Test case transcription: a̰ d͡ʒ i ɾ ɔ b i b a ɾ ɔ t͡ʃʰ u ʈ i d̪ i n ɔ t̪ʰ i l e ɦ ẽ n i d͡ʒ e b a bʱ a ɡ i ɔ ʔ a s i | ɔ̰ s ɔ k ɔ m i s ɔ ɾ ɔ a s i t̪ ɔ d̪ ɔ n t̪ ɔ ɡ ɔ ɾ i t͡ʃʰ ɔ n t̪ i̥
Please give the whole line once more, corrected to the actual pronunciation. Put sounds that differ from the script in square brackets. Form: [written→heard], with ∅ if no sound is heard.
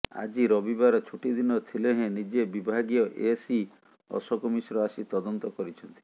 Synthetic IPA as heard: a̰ d͡ʒ i ɾ ɔ b i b a ɾ ɔ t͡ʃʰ u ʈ i d̪ i n ɔ t̪ʰ i l e ɦ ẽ n i d͡ʒ e b [a→i] bʱ a ɡ i ɔ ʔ [a→e] s i | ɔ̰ s ɔ k ɔ m i s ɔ ɾ ɔ a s i t̪ ɔ d̪ ɔ n t̪ ɔ [ɡ→k] ɔ ɾ i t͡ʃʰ ɔ n t̪ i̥